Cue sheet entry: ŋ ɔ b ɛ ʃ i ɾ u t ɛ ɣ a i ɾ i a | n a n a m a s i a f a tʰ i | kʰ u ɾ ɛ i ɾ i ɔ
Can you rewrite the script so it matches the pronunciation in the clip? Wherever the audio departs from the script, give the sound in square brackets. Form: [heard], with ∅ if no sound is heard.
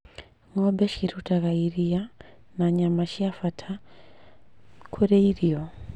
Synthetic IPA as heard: ŋ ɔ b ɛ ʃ i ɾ u t [a] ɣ a i ɾ i a | n a [ɲ] a m a [ʃ] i a f a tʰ [a] | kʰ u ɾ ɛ i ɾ i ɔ